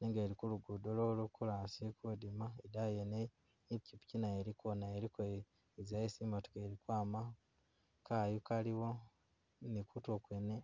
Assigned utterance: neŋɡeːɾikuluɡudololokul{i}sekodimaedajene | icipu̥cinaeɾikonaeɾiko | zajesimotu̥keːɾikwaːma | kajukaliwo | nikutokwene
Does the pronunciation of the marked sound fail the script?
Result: yes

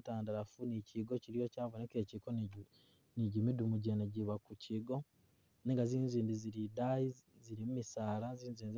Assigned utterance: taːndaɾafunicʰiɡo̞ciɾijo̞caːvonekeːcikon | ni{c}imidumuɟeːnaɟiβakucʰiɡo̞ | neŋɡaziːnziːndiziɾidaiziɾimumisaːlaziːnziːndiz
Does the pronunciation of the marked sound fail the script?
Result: yes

